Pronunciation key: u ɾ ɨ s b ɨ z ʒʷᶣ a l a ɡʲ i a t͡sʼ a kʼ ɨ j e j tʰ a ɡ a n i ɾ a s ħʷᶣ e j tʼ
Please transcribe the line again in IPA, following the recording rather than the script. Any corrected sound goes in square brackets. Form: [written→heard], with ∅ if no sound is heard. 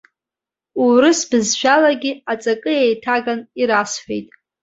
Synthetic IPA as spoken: u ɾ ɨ s b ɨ z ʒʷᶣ a l a ɡʲ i a t͡sʼ a kʼ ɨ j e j tʰ a ɡ a n i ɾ a s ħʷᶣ e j tʼ